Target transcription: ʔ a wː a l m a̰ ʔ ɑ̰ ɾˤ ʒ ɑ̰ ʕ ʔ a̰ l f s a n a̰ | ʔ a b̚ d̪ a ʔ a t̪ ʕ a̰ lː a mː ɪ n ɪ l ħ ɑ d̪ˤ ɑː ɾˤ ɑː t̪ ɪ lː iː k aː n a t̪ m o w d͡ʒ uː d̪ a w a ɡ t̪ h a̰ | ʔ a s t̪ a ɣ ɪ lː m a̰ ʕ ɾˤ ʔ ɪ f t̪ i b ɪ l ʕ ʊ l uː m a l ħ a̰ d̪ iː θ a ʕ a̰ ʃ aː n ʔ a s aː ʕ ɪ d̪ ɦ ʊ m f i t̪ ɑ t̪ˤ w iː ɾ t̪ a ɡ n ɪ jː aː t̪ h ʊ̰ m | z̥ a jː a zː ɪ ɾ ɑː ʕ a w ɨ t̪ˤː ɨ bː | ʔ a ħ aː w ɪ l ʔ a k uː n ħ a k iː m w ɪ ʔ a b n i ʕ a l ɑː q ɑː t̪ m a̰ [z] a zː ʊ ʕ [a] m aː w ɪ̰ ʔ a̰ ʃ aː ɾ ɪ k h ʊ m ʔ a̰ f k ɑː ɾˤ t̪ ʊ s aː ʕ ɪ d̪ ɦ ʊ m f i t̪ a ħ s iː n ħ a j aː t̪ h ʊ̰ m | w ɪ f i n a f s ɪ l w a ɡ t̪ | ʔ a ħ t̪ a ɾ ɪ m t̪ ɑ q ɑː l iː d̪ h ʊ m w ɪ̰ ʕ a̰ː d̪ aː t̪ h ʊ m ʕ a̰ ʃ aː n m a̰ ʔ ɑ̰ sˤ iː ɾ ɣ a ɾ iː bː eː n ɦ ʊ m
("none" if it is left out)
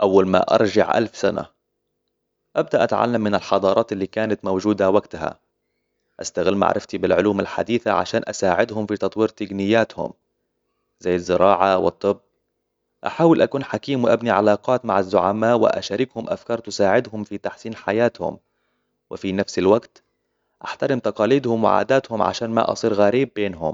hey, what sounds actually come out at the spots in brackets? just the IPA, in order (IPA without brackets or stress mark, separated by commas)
ʕ, a